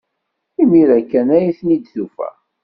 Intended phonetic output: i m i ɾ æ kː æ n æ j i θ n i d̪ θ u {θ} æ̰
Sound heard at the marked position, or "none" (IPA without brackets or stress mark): f